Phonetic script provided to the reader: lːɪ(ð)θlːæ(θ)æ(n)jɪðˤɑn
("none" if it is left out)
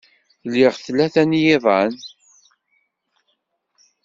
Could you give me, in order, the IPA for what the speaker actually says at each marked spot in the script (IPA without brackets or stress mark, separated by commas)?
ʁ, θ, n